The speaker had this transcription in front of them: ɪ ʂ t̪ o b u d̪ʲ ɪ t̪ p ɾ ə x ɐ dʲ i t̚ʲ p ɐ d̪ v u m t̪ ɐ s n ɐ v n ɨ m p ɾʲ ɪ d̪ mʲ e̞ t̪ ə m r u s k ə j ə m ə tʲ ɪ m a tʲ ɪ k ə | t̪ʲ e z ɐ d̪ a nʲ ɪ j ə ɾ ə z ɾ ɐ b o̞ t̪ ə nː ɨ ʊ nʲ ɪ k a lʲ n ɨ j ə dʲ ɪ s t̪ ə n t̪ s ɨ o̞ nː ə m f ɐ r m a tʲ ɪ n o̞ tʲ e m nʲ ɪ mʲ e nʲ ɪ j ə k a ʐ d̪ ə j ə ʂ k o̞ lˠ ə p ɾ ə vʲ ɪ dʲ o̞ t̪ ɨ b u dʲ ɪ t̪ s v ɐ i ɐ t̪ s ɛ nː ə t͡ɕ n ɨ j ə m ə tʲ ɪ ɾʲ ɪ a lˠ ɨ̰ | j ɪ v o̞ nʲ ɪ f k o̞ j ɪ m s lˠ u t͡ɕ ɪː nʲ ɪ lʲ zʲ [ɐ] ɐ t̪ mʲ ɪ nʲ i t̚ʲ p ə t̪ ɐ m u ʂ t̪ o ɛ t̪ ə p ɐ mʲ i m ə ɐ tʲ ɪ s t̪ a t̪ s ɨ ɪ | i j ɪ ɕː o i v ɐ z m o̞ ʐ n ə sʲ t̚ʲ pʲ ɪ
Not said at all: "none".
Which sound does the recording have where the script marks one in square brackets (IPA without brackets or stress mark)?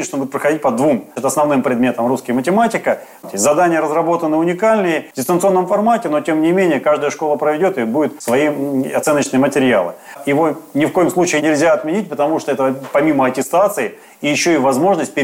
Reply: a